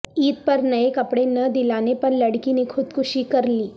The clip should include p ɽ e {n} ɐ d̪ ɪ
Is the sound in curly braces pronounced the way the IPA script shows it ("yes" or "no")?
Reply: yes